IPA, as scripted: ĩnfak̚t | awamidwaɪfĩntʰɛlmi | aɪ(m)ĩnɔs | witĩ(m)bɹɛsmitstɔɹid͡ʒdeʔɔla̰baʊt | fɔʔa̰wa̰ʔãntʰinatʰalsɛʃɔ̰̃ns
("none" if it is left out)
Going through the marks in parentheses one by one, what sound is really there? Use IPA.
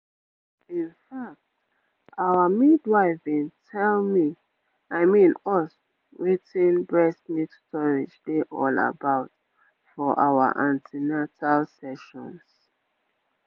m, n

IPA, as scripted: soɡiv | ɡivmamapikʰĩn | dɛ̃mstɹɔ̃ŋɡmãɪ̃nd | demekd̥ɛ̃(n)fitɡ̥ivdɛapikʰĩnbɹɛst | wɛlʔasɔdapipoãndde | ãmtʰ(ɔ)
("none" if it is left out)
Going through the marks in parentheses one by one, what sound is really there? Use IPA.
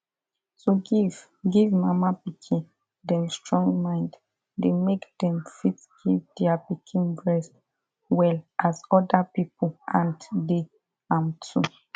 m, u

